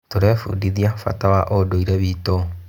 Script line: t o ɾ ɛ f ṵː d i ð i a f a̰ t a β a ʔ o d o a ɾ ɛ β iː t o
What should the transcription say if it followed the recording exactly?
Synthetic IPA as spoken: t o ɾ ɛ f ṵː d i ð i a f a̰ t a w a ʔ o d o i ɾ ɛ β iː t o